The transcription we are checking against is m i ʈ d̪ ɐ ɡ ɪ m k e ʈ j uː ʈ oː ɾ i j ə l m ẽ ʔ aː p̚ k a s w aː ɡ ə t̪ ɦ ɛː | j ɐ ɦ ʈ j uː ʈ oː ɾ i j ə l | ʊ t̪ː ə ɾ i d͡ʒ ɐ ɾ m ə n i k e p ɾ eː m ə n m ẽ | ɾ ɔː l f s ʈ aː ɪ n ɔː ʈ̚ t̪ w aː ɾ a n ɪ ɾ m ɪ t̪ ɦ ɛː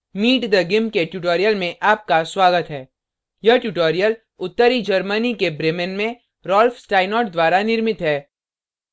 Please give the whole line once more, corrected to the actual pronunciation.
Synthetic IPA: m iː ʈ d̪ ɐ ɡ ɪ m k e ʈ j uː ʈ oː ɾ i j ə l m ẽ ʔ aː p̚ k a s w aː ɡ ə t̪ ɦ ɛː | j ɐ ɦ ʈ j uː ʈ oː ɾ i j ə l | ʊ t̪ː ə ɾ i d͡ʒ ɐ ɾ m ə n i k e b ɾ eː m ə n m ẽ | ɾ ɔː l f s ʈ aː ɪ n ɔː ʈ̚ d̪ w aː ɾ a n ɪ ɾ m ɪ t̪ ɦ ɛː